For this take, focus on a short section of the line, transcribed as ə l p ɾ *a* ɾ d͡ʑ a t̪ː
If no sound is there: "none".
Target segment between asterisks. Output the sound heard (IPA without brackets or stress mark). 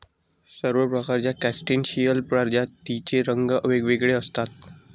a